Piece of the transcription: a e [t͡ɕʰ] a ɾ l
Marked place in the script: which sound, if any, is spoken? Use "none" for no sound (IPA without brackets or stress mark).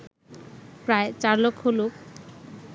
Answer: t͡ɕ